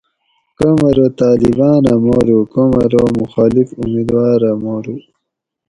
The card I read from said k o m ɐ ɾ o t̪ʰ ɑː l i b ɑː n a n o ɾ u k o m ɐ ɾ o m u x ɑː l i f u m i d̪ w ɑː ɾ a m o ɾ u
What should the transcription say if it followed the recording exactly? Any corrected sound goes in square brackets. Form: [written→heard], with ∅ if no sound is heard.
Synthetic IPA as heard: k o m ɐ ɾ o [t̪ʰ→t̪] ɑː l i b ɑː n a [n→m] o ɾ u k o m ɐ ɾ o m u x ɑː l i f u m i d̪ w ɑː ɾ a m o ɾ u

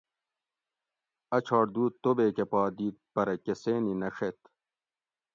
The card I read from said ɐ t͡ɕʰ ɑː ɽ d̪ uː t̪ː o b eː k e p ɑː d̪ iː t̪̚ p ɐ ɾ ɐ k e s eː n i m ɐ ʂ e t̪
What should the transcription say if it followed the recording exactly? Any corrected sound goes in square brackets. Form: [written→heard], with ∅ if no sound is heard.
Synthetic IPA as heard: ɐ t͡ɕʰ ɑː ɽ d̪ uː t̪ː o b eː k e p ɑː d̪ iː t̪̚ p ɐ ɾ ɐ k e s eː n i [m→n] ɐ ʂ e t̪

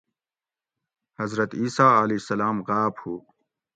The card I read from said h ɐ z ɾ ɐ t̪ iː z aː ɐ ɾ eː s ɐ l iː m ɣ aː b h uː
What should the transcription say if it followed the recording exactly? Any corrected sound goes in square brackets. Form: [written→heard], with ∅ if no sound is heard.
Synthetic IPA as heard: h ɐ z ɾ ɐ t̪ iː [z→s] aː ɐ [ɾ→l] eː s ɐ l [iː→aː] m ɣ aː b h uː

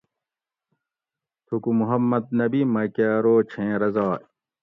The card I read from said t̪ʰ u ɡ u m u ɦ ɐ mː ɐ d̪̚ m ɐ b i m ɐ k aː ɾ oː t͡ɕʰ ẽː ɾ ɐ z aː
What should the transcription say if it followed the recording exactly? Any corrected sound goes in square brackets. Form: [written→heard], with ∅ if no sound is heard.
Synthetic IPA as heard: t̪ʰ u [ɡ→k] u m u ɦ ɐ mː ɐ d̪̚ [m→n] ɐ b i m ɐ k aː ɾ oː t͡ɕʰ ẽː ɾ ɐ z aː

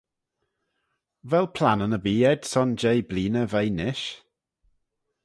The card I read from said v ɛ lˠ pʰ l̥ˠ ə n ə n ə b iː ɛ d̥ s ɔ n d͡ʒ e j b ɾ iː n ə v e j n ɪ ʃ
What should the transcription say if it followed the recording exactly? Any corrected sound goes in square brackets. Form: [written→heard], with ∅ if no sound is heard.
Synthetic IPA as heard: v ɛ lˠ pʰ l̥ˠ [ə→a] n ə n ə b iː ɛ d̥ s ɔ n d͡ʒ e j b [ɾ→l] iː n ə v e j n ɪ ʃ

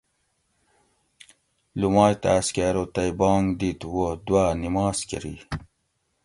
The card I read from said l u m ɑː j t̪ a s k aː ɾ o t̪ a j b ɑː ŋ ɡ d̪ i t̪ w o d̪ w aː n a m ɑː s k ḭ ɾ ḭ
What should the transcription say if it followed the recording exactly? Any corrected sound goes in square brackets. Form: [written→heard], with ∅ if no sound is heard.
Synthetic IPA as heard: l u m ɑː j t̪ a s k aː ɾ o t̪ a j b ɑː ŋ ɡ d̪ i t̪ w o d̪ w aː n [a→i] m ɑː s k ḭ ɾ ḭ

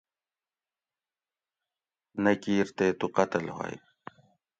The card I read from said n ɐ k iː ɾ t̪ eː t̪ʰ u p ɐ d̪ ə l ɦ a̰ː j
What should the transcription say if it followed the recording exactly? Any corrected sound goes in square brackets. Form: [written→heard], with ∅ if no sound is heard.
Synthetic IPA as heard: n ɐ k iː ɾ t̪ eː [t̪ʰ→t̪] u [p→q] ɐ [d̪→t̪] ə l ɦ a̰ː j

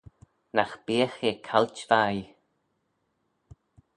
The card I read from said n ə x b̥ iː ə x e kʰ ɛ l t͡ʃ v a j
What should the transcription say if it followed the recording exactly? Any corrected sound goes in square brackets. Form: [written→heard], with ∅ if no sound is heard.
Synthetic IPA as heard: n [ə→a] x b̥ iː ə x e kʰ [ɛ→a] l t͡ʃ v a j

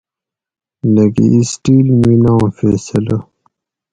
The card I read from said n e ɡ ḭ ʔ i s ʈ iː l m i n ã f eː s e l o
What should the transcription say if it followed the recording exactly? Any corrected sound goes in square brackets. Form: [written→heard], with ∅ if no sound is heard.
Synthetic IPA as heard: n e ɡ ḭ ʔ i s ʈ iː l m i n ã f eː s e l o

